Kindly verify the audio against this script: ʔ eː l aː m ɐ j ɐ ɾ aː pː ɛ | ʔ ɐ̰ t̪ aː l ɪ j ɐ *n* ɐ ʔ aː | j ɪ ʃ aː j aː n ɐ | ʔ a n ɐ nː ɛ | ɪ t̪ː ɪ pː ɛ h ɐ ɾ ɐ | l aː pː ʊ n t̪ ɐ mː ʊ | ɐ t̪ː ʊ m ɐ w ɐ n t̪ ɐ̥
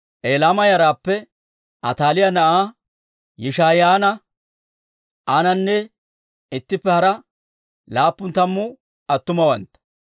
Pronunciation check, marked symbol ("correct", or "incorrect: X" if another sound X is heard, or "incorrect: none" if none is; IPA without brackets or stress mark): correct